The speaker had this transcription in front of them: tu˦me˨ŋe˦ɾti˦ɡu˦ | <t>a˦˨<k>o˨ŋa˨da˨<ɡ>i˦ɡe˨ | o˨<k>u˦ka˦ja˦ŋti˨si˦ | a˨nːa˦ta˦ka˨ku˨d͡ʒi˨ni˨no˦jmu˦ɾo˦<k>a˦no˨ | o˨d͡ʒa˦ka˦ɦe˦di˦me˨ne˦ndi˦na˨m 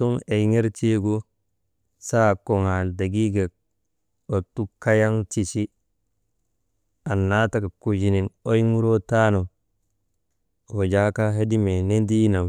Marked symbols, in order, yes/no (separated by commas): no, yes, yes, no, no